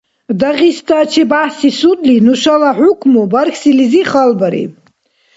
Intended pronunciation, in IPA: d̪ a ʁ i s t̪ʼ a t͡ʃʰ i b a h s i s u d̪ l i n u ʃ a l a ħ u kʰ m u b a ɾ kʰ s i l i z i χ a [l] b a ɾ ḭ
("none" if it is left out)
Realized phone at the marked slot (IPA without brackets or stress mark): l